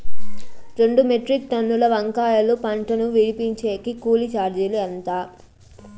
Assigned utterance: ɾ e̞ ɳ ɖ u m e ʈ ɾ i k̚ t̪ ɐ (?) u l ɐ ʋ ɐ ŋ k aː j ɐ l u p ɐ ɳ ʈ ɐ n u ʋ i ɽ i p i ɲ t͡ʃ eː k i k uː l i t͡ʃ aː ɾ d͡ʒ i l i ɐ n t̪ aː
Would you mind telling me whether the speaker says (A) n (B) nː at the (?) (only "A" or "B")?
B